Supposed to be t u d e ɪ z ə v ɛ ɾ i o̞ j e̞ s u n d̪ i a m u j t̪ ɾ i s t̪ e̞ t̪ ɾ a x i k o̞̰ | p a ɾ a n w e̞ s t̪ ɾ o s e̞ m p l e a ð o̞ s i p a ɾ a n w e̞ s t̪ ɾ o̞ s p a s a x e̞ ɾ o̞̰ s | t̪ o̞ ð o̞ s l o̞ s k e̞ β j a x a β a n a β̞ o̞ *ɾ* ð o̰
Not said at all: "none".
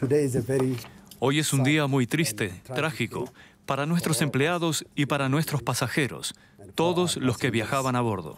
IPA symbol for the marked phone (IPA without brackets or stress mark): ɾ